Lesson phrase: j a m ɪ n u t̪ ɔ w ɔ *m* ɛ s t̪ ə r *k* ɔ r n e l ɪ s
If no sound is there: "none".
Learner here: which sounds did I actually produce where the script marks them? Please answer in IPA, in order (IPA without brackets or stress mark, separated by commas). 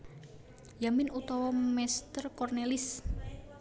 m, k